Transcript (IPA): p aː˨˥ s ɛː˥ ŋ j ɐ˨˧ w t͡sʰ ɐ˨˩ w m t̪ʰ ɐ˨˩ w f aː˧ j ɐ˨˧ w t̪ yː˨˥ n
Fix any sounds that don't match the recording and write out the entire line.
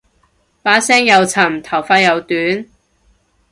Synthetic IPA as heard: p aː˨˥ s ɛː˥ ŋ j ɐ˨˧ w t͡sʰ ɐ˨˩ m t̪ʰ ɐ˨˩ w f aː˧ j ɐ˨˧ w t̪ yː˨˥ n